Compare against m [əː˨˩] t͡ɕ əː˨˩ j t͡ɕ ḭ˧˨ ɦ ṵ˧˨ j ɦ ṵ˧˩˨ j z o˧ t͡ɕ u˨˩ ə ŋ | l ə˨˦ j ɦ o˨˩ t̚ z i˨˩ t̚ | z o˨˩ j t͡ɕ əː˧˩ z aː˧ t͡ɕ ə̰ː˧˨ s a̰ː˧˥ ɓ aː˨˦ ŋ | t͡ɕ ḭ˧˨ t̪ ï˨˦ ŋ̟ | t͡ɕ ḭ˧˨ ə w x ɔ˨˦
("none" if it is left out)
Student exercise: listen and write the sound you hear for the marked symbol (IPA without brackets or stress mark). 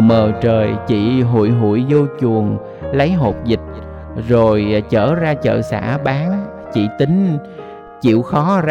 əː˨˩